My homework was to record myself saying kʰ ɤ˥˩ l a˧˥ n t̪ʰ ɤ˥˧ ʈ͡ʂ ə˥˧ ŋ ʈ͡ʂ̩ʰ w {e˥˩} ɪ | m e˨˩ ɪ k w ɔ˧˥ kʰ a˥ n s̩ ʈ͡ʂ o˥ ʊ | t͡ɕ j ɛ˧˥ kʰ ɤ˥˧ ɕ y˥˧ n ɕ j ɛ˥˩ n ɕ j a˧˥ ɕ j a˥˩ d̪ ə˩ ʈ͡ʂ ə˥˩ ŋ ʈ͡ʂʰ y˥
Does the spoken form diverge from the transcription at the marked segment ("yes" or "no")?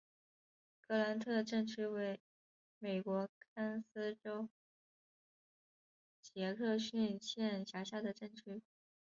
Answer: yes